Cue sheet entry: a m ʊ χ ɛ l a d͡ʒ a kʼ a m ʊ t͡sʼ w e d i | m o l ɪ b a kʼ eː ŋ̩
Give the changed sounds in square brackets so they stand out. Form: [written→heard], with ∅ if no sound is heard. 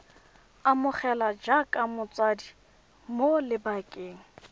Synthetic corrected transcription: a m ʊ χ ɛ l a d͡ʒ a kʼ a m ʊ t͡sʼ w [e→a] d i | m o l ɪ b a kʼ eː ŋ̩

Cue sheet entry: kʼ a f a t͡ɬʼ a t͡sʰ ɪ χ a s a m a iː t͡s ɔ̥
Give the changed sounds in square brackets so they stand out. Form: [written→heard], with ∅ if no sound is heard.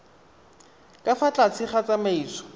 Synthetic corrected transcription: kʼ a f a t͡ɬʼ a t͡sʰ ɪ χ a [s→t͡s] a m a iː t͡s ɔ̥

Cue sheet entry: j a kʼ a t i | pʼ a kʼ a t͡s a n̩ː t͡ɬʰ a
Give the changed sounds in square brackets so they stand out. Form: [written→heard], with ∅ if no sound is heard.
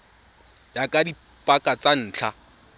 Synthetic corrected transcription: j a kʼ a [t→d] i | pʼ a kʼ a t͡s a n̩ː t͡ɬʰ a

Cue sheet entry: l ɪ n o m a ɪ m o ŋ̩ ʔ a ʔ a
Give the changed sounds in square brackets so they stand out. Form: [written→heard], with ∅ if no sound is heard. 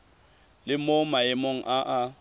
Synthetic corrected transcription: l ɪ [n→m] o m a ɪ m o ŋ̩ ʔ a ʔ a

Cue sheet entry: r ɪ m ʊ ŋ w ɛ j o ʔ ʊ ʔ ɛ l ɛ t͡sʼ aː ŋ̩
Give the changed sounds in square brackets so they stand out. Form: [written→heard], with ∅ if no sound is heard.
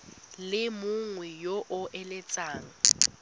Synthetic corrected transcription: [r→l] ɪ m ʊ ŋ w ɛ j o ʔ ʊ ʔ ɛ l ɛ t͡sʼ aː ŋ̩

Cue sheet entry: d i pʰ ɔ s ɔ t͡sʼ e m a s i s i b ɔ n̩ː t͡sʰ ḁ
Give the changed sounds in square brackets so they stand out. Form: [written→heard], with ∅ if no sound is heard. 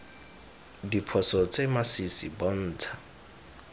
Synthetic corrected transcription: d i pʰ ɔ s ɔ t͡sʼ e m a s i s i b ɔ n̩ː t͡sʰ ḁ

